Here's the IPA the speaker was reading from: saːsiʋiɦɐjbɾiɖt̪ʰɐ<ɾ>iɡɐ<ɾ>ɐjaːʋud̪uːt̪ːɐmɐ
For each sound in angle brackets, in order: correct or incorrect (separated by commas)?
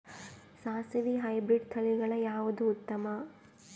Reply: incorrect, incorrect